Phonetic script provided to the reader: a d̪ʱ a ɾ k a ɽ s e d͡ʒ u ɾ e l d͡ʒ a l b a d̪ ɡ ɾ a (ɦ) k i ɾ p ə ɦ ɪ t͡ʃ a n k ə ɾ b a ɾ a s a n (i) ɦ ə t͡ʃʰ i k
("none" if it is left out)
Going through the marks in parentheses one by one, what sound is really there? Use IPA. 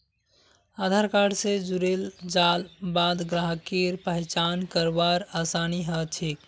ɦ, i

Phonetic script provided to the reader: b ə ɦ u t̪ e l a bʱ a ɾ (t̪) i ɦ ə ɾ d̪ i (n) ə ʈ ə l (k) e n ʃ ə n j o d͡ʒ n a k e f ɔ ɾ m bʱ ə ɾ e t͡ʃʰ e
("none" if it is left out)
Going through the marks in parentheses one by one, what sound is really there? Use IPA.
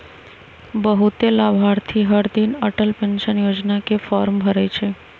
t̪ʰ, n, p

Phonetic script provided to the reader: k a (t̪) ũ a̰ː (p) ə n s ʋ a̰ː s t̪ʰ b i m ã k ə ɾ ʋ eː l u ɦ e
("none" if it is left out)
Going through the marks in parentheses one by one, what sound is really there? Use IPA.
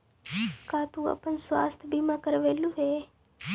t̪, p

